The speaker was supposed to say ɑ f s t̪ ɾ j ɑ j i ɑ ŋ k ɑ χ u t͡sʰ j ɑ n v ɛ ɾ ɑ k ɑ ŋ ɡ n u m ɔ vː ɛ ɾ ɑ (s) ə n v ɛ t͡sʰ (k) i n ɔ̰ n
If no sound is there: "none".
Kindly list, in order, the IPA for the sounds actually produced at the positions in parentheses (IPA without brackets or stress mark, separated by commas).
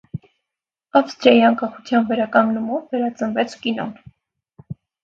t͡s, k